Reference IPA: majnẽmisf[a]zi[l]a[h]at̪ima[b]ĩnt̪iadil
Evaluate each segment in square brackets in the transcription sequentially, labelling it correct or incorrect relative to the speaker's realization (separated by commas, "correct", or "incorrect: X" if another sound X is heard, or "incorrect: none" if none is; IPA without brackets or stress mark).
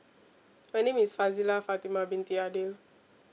correct, correct, incorrect: f, correct